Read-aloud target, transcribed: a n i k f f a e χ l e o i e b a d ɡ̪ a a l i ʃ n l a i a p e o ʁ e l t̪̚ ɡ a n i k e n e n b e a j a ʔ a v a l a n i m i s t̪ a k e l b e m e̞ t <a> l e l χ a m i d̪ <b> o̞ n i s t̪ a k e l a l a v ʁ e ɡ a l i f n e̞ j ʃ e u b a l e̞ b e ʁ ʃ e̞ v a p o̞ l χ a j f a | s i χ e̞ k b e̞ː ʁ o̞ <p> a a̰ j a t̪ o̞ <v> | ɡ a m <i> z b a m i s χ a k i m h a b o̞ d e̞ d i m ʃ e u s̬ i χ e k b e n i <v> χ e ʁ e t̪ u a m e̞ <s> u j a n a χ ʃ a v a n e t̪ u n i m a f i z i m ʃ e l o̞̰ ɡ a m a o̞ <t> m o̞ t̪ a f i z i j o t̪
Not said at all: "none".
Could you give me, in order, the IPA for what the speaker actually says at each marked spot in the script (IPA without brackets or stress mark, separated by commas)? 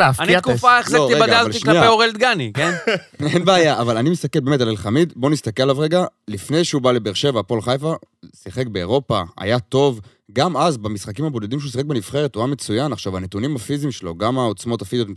a, b, p, v, a, f, t͡s, t͡s